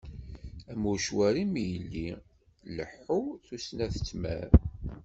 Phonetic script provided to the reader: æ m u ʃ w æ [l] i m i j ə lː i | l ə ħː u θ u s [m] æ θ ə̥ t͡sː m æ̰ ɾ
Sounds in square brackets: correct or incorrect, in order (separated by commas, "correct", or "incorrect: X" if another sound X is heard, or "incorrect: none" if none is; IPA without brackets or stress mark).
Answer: incorrect: ɾ, incorrect: n